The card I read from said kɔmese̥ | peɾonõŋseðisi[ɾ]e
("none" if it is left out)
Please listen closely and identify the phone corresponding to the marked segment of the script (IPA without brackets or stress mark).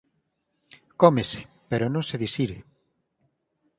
ɾ